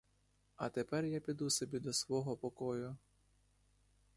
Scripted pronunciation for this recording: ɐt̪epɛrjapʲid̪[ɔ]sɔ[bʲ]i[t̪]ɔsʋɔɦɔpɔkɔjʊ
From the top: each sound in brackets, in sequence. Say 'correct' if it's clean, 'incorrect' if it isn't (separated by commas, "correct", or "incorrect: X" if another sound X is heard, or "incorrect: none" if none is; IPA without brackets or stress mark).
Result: incorrect: u, correct, incorrect: d̪